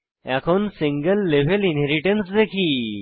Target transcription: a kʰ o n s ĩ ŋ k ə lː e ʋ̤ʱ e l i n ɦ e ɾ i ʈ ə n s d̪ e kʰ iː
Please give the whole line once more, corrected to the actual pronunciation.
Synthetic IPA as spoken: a kʰ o n s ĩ ŋ ɡ ə lː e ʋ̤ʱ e l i n ɦ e ɾ i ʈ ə n s d̪ e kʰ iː